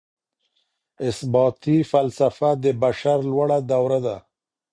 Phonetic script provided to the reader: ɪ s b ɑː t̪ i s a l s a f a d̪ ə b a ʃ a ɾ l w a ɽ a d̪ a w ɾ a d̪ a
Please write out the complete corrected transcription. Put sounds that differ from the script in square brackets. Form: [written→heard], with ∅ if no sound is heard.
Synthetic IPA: ɪ s b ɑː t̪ i [s→f] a l s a f a d̪ ə b a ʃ a ɾ l w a ɽ a d̪ a w ɾ a d̪ a